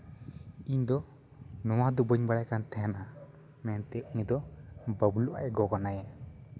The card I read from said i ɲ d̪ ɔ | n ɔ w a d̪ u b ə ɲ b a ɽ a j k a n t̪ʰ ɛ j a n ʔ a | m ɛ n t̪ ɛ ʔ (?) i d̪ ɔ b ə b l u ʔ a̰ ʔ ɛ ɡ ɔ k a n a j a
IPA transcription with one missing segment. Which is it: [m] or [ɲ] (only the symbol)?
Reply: ɲ